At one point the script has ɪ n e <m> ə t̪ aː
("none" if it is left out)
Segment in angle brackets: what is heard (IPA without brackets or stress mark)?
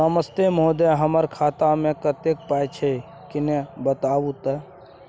b